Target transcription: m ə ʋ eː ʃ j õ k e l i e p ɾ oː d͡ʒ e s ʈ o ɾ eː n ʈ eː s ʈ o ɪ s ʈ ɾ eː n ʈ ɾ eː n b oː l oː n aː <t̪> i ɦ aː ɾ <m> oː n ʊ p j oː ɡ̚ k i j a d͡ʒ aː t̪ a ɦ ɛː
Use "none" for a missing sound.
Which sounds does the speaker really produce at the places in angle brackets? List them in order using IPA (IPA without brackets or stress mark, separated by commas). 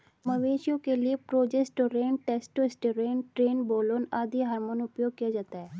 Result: d̪, m